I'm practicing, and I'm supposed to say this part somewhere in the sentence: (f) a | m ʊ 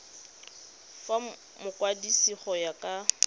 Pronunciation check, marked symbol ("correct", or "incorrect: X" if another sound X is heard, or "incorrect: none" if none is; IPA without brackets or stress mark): correct